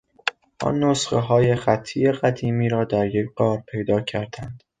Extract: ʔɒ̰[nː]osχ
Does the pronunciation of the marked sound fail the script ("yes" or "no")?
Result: no